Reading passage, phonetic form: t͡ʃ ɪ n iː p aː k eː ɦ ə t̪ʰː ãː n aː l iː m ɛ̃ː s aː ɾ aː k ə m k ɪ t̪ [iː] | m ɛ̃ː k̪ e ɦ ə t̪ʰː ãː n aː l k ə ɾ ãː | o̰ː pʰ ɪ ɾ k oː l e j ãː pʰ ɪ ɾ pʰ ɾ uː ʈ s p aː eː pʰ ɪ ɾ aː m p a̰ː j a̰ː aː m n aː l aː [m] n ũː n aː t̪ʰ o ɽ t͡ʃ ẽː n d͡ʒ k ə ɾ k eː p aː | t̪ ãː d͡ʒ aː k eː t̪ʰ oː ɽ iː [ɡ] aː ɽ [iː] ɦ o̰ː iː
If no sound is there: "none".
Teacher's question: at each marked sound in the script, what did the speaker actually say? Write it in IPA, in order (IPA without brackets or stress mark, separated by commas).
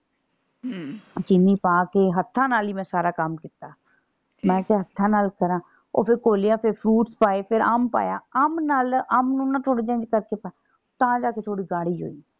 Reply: aː, m, ɡ, iː